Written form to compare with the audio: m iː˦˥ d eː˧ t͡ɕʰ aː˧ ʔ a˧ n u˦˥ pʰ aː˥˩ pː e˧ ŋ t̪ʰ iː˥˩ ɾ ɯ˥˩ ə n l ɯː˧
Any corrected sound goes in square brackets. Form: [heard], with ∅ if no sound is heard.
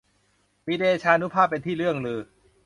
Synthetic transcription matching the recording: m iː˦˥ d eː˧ t͡ɕʰ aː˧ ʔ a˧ n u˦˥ pʰ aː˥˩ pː e˧ [n] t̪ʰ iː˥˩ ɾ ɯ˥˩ ə [ŋ] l ɯː˧